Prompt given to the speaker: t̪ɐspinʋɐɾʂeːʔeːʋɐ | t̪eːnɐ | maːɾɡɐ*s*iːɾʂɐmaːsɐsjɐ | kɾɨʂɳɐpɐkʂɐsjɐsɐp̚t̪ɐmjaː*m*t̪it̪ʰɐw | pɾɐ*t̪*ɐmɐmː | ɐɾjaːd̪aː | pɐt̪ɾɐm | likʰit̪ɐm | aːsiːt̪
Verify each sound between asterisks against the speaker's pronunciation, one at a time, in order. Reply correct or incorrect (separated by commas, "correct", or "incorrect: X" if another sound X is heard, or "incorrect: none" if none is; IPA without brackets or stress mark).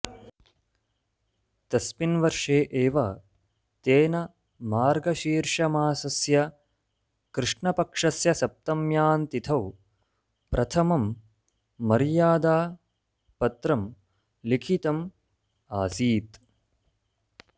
incorrect: ʃ, incorrect: n, incorrect: t̪ʰ